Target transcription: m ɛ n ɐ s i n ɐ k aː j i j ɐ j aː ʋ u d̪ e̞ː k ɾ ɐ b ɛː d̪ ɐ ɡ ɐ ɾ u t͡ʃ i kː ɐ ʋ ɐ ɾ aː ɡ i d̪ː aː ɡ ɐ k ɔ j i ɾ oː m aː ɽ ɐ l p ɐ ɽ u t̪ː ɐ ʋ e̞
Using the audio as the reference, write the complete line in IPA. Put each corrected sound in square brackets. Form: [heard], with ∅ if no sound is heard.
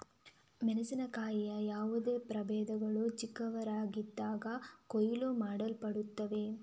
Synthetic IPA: m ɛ n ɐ s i n ɐ k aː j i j ɐ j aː ʋ u d̪ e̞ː [p] ɾ ɐ b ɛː d̪ ɐ ɡ ɐ [ɭ] u t͡ʃ i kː ɐ ʋ ɐ ɾ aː ɡ i d̪ː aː ɡ ɐ k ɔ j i [l] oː m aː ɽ ɐ l p ɐ ɽ u t̪ː ɐ ʋ e̞